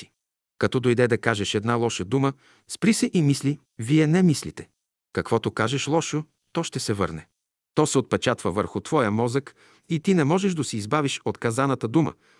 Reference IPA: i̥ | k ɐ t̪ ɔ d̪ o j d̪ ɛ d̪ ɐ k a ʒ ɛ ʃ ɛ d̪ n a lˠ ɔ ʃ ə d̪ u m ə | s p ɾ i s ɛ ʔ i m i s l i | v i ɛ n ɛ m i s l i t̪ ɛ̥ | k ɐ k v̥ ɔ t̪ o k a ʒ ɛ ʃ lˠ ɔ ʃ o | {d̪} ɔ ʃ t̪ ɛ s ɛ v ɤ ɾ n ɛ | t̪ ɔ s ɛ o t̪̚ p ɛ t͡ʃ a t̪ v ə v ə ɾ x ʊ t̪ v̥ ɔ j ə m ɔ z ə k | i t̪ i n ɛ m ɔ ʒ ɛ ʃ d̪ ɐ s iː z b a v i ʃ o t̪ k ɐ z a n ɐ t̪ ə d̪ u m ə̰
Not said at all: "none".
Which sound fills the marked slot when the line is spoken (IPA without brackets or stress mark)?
t̪